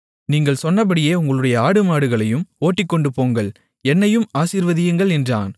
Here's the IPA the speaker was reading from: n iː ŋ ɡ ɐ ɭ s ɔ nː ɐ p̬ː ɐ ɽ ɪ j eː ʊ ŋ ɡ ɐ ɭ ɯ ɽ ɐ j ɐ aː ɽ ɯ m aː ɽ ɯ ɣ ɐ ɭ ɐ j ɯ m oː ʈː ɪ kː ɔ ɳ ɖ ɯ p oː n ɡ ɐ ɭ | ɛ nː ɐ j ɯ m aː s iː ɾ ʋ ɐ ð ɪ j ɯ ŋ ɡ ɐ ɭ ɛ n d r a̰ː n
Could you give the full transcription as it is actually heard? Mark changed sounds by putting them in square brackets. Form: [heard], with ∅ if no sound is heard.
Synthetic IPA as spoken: n iː ŋ ɡ ɐ ɭ s ɔ nː ɐ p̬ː ɐ ɽ ɪ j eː ʊ ŋ ɡ ɐ ɭ ɯ ɽ ɐ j ɐ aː ɽ ɯ m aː ɽ ɯ ɣ ɐ ɭ ɐ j ɯ m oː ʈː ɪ kː ɔ ɳ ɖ ɯ p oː [ŋ] ɡ ɐ ɭ | ɛ nː ɐ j ɯ m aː s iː ɾ ʋ ɐ ð ɪ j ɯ ŋ ɡ ɐ ɭ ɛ n d r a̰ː n